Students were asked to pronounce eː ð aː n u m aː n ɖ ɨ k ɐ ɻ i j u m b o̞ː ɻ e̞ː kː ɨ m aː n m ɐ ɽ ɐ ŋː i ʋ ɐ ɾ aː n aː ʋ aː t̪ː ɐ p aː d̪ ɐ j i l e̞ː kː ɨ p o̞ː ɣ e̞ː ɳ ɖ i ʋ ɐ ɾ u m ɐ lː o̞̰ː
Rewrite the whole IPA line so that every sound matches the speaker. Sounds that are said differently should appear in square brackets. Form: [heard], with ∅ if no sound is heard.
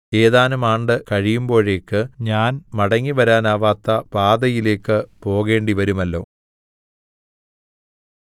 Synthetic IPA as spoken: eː ð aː n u m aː [ɳ] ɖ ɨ k ɐ ɻ i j u m b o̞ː ɻ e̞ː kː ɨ [ɲ] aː n m ɐ ɽ ɐ ŋː i ʋ ɐ ɾ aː n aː ʋ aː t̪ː ɐ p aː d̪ ɐ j i l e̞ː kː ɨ p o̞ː ɣ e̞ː ɳ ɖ i ʋ ɐ ɾ u m ɐ lː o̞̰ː